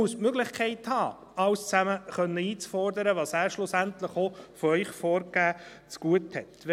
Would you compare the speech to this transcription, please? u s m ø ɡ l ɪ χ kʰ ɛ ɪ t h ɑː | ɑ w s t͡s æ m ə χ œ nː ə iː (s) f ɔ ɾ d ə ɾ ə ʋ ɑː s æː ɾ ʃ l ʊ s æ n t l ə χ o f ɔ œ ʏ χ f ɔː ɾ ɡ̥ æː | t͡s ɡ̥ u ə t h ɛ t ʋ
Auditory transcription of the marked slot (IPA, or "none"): t͡s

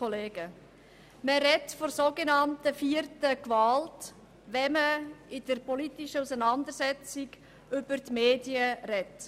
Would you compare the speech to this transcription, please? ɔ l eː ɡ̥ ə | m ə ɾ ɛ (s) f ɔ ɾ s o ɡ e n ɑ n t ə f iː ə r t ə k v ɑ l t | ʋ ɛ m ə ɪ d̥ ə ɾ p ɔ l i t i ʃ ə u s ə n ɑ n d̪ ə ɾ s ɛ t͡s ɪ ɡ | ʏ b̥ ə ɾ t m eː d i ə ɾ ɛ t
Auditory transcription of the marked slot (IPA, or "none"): t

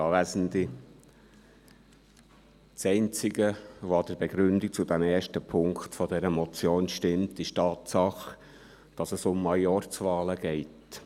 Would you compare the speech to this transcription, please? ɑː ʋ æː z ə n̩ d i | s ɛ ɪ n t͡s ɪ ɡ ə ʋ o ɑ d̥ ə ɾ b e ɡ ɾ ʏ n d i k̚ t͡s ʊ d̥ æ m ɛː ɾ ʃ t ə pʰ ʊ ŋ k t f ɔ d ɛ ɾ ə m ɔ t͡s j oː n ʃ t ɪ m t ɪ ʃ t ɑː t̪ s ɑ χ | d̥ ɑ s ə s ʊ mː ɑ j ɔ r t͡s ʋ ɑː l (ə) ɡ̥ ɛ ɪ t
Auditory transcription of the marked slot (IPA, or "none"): ə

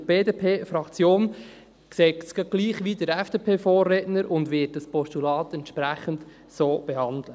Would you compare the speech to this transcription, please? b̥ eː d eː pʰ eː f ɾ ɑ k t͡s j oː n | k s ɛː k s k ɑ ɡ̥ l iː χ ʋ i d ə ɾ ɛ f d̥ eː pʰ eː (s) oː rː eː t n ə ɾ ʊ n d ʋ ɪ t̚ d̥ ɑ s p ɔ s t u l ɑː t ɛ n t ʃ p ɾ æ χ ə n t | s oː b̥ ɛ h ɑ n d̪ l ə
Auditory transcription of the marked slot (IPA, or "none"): f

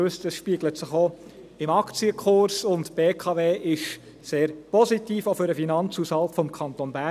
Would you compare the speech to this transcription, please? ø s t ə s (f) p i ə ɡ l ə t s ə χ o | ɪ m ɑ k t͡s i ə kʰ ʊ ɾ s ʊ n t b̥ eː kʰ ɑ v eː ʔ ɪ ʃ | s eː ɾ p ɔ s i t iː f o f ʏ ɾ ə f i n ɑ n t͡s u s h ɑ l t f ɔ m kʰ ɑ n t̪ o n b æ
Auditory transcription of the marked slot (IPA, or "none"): ʃ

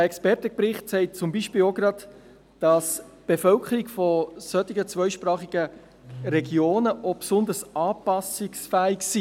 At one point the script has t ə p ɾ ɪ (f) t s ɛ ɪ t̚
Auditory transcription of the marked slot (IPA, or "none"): χ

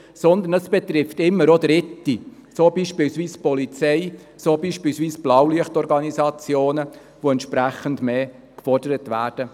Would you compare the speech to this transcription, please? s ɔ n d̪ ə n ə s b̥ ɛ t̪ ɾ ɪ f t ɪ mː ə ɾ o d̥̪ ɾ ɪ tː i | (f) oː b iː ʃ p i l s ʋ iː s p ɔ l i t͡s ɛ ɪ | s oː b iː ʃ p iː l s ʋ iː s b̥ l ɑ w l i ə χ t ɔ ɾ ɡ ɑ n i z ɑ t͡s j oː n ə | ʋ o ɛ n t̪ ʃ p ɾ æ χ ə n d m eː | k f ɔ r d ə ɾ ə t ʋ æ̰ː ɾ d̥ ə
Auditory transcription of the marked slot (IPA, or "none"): s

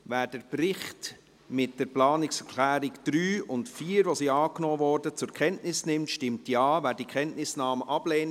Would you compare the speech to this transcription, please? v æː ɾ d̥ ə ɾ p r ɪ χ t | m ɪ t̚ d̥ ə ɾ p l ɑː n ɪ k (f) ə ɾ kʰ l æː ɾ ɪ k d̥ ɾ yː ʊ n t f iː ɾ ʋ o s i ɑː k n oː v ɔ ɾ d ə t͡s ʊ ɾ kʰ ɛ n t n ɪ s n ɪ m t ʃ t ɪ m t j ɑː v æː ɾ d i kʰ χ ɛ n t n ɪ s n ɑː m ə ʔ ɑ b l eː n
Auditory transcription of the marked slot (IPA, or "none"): s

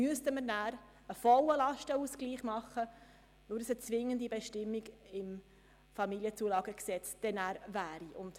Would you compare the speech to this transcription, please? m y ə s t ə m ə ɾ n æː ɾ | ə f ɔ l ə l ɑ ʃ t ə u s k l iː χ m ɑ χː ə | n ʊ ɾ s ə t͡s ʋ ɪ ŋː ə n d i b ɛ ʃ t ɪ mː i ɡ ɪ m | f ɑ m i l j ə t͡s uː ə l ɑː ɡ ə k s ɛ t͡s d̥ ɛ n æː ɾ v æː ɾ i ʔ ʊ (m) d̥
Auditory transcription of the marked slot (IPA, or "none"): n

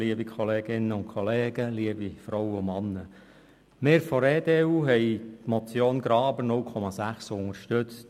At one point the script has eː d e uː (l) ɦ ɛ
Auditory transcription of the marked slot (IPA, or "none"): none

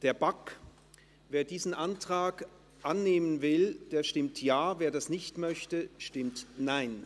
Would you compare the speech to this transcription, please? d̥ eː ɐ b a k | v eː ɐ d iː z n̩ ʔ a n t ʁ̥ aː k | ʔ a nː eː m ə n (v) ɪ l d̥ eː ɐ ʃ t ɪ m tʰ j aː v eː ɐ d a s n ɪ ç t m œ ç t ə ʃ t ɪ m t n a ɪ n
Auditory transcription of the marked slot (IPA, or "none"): v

